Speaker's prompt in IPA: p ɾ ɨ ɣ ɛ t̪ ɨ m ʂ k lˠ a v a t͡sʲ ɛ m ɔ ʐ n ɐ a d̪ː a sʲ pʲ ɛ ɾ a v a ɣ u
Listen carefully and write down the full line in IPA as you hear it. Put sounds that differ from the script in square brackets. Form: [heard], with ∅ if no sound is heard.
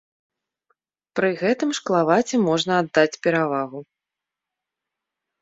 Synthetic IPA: p ɾ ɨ ɣ ɛ t̪ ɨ m ʂ k lˠ a v a t͡sʲ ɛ m ɔ ʐ n ɐ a d̪ː a [t͡sʲ] pʲ ɛ ɾ a v a ɣ u